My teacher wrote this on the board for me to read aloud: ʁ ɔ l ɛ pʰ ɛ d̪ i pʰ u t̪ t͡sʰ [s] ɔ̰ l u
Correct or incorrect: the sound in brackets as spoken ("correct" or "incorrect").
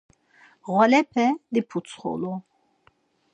incorrect